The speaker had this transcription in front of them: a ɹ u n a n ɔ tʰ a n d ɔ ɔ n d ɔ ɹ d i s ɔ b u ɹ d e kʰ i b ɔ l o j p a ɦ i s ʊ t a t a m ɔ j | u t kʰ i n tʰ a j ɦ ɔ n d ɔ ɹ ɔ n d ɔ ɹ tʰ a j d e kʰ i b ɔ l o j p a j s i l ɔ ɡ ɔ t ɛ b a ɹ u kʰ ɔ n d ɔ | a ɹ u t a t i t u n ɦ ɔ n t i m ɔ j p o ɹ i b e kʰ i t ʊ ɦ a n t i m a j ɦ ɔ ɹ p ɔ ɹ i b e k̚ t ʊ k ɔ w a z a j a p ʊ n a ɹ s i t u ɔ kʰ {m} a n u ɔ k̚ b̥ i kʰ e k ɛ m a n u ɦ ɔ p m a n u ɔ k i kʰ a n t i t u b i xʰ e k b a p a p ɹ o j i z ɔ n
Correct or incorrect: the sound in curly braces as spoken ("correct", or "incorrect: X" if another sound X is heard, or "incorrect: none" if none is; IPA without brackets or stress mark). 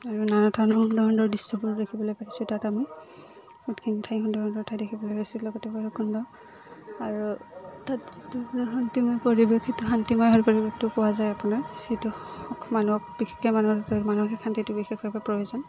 correct